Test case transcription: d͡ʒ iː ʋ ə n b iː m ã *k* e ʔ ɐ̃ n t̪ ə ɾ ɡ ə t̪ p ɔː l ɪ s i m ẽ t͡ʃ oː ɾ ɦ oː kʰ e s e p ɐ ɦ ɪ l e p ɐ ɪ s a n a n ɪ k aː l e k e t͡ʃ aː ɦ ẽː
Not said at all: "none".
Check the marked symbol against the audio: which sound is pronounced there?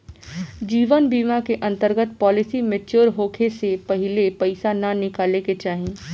k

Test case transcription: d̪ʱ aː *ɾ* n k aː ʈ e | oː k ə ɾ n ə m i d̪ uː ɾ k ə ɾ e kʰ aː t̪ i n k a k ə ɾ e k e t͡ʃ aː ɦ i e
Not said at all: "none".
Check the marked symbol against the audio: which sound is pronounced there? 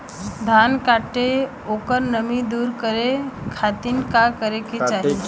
none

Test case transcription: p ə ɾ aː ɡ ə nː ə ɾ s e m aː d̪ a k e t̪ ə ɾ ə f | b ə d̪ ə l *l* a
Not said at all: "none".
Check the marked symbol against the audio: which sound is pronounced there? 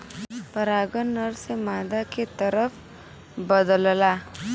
l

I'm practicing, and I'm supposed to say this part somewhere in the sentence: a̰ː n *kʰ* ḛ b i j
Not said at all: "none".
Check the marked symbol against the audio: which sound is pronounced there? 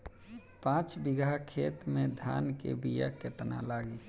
k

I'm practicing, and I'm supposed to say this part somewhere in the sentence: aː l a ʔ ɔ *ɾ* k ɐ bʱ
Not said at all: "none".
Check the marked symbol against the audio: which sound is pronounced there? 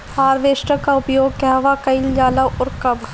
ɾ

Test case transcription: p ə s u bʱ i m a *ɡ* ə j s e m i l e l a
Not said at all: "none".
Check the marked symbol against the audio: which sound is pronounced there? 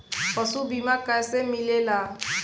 k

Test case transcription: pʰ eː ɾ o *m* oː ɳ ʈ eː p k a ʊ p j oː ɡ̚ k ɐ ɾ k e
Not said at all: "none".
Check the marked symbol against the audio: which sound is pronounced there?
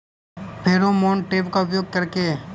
m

